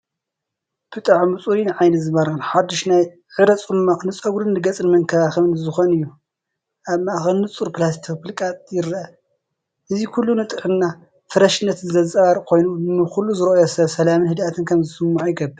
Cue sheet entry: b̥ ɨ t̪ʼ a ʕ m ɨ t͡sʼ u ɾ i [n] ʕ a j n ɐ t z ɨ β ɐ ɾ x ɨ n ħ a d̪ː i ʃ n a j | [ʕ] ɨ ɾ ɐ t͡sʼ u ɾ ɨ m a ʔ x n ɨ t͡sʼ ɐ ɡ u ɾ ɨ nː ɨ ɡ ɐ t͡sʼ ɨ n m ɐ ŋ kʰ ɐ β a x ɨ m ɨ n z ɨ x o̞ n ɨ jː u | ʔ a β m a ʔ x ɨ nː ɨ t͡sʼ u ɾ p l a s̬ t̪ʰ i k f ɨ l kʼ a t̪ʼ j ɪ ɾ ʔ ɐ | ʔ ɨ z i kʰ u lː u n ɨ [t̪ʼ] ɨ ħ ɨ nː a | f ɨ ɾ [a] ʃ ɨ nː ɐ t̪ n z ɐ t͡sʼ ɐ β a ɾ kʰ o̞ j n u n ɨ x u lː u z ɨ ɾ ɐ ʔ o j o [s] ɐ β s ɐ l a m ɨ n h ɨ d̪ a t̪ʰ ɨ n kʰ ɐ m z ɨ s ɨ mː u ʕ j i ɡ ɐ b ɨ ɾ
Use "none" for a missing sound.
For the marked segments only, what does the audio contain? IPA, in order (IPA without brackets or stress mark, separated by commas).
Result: n, ʕ, t̪ʼ, ɐ, s